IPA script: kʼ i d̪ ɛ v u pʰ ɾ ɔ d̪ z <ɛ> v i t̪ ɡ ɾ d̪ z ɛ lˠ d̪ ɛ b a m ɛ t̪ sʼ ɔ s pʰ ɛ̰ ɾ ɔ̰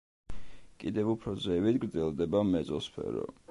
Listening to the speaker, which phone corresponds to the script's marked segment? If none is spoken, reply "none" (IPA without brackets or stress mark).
ɛ